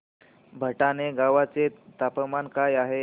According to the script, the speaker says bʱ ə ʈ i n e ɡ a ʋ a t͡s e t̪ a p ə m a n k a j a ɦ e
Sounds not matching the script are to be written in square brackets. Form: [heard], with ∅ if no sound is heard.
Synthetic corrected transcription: bʱ ə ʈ [a] n e ɡ a ʋ a t͡s e t̪ a p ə m a n k a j a ɦ e